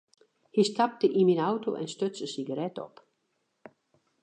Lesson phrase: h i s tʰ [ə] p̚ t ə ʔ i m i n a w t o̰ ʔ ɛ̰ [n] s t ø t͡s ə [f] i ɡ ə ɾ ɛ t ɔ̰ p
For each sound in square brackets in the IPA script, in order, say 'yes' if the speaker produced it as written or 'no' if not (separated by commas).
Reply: no, yes, no